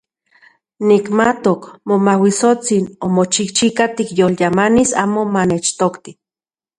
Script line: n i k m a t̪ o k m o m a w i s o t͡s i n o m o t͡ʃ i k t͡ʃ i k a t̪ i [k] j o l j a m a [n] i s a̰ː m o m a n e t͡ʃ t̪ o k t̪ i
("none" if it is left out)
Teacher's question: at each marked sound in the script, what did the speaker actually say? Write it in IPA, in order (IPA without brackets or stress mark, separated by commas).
k, n